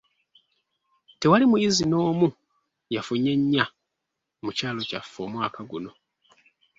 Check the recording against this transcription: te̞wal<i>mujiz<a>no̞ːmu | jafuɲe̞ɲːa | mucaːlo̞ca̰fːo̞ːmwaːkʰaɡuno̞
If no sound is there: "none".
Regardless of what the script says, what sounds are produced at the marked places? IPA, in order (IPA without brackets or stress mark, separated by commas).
i, i